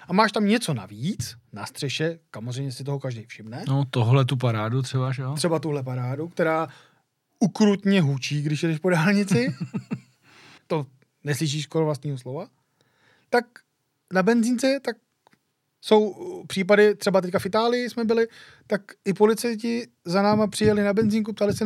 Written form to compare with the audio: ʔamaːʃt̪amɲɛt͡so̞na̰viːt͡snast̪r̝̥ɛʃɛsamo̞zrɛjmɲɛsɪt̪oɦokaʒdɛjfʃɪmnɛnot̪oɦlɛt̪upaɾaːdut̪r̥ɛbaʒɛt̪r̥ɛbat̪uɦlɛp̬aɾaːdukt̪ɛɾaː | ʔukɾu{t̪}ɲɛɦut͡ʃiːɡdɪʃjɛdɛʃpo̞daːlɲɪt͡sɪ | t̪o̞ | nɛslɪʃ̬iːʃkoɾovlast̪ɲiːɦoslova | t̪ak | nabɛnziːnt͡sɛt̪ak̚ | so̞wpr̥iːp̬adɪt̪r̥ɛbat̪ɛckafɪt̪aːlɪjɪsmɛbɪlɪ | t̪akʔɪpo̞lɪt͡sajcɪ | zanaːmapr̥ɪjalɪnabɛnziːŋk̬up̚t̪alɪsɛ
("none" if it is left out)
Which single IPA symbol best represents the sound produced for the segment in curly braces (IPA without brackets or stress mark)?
t̪